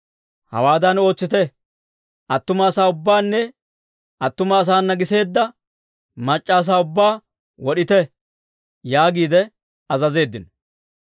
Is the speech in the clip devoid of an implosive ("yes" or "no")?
no